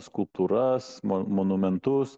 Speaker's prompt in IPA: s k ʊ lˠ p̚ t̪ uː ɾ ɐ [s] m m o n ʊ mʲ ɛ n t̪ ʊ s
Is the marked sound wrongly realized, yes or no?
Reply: no